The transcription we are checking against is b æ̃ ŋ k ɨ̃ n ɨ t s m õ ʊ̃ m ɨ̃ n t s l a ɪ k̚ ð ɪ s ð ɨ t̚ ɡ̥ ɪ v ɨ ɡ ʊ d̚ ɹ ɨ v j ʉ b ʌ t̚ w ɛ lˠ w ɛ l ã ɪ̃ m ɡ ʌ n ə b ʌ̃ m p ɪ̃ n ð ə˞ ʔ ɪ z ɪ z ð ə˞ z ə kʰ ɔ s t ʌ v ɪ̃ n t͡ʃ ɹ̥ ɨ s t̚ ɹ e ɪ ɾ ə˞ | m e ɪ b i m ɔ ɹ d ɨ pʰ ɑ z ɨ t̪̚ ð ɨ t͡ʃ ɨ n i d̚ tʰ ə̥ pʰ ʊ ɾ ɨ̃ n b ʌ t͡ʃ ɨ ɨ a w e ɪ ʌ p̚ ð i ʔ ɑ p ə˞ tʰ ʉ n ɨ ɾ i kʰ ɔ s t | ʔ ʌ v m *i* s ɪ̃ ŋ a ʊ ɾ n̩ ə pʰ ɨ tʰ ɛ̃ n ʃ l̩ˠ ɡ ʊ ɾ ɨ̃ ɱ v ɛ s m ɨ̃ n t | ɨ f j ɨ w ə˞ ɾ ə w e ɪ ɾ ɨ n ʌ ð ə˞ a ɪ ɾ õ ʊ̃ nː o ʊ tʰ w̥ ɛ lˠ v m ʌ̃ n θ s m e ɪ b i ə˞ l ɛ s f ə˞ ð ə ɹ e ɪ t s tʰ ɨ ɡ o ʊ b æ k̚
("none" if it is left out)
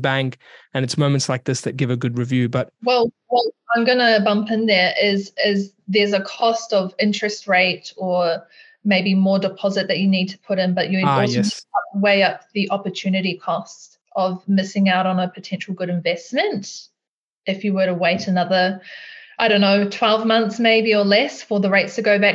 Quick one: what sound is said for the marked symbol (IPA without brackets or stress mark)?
ɪ